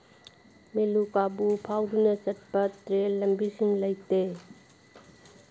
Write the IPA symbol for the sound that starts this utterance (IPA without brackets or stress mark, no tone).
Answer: m